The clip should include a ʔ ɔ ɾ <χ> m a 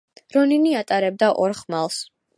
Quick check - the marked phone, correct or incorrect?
correct